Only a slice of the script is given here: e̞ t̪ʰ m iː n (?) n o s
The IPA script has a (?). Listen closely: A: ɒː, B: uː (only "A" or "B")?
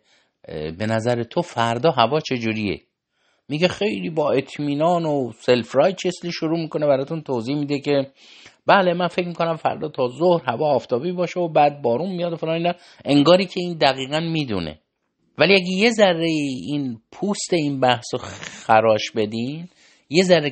A